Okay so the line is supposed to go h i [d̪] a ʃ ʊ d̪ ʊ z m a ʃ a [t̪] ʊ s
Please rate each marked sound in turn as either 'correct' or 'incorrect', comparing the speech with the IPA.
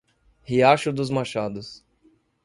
incorrect: none, incorrect: d̪

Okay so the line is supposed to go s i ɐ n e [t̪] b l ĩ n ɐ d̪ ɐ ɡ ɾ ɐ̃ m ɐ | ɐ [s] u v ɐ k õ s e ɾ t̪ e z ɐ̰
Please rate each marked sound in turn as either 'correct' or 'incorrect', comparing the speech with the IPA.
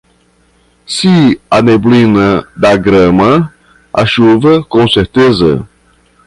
incorrect: none, incorrect: ʃ

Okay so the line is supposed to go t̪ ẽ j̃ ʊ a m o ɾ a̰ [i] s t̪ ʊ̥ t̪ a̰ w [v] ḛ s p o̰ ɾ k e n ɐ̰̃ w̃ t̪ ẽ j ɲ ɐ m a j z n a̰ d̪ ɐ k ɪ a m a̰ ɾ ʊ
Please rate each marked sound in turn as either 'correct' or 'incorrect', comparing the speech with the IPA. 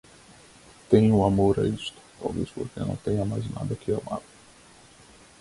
correct, correct

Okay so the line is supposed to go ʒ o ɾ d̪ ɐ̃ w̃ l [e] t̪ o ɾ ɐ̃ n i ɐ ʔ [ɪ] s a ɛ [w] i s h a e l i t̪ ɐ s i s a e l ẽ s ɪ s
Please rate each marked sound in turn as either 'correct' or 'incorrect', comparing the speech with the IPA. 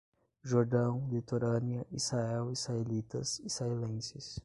incorrect: i, incorrect: i, correct

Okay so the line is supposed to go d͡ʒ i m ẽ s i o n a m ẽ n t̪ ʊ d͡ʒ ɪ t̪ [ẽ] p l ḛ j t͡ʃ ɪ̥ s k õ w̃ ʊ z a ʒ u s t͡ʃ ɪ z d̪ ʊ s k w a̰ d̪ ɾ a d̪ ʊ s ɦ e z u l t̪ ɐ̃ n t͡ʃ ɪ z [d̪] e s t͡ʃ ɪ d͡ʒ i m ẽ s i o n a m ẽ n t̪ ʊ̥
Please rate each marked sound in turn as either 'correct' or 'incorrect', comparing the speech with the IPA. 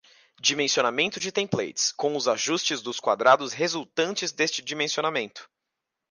correct, correct

